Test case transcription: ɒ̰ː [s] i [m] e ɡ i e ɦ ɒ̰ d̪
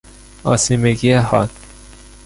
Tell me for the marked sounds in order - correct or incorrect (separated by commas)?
correct, correct